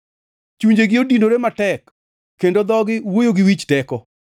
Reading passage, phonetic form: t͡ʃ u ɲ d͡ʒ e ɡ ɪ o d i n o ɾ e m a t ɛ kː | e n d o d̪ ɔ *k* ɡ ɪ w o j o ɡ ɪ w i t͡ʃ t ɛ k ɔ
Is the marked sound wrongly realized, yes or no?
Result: yes